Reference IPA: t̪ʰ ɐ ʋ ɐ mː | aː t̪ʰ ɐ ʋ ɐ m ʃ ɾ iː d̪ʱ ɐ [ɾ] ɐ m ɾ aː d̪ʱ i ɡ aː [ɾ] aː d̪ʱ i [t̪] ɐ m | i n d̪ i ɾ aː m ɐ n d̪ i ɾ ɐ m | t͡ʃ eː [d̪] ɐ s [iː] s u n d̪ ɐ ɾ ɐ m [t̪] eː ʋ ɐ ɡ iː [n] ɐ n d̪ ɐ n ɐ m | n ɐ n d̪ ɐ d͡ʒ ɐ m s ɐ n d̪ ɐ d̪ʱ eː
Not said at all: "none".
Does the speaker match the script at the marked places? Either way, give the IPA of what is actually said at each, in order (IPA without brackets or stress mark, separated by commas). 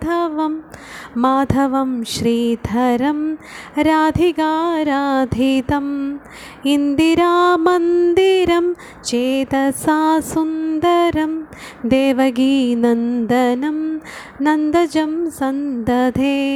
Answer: ɾ, ɾ, t̪, t̪, aː, d̪, n